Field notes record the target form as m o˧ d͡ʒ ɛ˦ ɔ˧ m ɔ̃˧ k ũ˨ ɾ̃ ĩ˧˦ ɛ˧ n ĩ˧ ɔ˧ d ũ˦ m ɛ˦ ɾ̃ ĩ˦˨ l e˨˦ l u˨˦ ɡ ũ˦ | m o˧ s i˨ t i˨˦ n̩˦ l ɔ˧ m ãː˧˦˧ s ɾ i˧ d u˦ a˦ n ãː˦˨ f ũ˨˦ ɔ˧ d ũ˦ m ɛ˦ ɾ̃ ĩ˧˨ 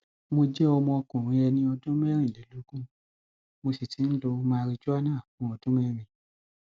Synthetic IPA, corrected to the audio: m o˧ d͡ʒ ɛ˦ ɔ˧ m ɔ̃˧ k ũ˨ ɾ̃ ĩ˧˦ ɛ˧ n ĩ˧ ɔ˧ d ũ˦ m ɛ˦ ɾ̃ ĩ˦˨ l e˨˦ l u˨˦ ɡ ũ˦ | m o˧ s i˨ t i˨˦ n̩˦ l o˧ m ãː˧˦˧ ɾ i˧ d͡ʒ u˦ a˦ n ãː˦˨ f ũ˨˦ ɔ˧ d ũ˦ m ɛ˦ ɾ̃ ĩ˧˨